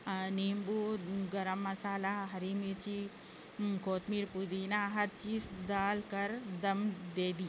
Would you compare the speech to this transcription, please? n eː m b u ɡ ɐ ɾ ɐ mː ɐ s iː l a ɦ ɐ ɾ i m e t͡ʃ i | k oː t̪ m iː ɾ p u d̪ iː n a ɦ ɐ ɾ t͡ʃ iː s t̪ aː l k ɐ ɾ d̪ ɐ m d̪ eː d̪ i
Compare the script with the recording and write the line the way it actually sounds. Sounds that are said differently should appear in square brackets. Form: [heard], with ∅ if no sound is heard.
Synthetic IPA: n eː m b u ɡ ɐ ɾ ɐ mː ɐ s [aː] l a ɦ ɐ ɾ i m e t͡ʃ i | k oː t̪ m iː ɾ p u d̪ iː n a ɦ ɐ ɾ t͡ʃ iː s [d̪] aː l k ɐ ɾ d̪ ɐ m d̪ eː d̪ i